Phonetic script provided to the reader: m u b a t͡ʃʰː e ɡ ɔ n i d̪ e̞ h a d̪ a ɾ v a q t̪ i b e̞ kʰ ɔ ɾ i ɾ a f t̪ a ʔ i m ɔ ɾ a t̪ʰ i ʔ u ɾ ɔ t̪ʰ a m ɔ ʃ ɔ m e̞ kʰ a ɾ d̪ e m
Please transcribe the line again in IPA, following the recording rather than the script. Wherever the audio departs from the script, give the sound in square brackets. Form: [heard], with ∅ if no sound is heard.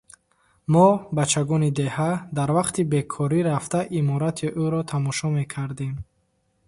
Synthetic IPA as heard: m [ɔ] b a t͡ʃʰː [a] ɡ ɔ n i d̪ e̞ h a d̪ a ɾ v a q t̪ i b e̞ kʰ ɔ ɾ i ɾ a f t̪ a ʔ i m ɔ ɾ a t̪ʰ i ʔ u ɾ ɔ t̪ʰ a m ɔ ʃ ɔ m e̞ kʰ a ɾ d̪ e m